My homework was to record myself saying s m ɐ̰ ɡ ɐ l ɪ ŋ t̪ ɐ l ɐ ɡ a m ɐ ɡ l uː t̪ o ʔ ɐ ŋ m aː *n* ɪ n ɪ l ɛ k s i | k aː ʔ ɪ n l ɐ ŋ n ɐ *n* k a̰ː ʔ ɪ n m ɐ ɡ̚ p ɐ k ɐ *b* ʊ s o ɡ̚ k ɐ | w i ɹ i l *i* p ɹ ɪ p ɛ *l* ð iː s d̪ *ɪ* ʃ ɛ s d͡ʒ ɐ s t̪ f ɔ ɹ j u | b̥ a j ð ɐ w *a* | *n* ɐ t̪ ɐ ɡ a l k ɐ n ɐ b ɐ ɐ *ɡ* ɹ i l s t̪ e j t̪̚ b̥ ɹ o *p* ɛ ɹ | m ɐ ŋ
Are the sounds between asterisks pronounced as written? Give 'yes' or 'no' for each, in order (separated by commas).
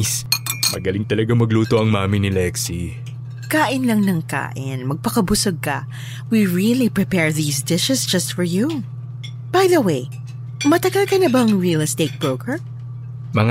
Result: no, no, yes, yes, no, yes, no, no, no, no